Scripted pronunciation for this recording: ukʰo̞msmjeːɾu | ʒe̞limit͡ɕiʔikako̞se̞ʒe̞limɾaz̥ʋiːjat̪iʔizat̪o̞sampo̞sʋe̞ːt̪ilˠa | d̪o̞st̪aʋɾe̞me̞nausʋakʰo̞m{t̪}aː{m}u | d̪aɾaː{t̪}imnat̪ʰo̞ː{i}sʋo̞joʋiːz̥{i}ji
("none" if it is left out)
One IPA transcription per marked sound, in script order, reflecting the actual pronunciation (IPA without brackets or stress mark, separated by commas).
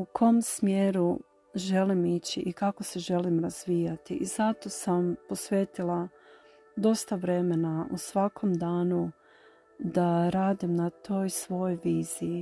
d̪, n, d̪, j, i